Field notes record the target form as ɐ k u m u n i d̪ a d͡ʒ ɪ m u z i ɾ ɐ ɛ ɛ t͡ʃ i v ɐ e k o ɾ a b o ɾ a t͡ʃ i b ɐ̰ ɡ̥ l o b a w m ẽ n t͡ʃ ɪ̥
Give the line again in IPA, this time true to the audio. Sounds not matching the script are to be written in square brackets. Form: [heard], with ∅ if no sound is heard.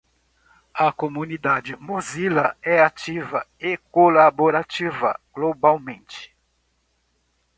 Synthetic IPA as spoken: ɐ k [o] m u n i d̪ a d͡ʒ ɪ m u z i [l] ɐ ɛ [a] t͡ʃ i v ɐ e k o [l] a b o ɾ a t͡ʃ i [v] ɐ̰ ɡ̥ l o b a w m ẽ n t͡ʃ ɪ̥